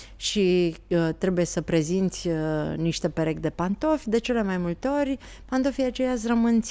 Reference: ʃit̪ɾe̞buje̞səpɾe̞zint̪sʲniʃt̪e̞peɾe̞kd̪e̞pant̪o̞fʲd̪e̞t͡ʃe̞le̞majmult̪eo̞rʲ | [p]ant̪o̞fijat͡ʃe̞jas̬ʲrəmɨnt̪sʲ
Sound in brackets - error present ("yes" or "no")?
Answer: no